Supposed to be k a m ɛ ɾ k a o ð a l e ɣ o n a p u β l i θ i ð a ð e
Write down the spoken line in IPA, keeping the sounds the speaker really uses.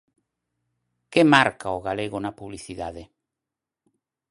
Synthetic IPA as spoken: k e m a ɾ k a o ɣ a l e ɣ o n a p u β l i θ i ð a ð e